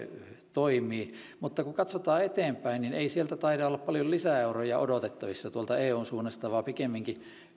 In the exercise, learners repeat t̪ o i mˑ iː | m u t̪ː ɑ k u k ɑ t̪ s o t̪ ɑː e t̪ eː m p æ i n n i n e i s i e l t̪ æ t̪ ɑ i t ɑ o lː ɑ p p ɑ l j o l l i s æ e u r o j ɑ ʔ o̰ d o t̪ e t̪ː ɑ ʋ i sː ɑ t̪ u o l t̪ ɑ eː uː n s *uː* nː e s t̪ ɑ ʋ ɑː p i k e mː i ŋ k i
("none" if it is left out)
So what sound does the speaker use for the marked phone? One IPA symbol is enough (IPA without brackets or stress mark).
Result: uː